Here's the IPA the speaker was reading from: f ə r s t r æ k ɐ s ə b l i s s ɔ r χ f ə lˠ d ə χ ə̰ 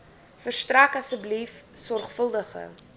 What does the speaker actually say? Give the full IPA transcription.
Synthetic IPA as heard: f ə r s t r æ k ɐ s ə b l i f s ɔ r χ f ə lˠ d ə χ ə̰